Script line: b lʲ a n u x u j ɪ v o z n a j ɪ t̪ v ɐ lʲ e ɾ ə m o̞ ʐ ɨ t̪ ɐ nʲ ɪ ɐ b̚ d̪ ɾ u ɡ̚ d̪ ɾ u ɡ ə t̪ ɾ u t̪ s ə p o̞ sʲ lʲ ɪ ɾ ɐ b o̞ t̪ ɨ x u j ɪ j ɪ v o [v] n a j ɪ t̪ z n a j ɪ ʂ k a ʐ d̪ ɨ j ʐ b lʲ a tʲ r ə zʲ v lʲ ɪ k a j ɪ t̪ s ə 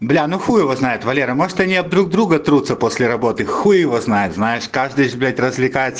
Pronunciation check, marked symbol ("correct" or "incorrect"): incorrect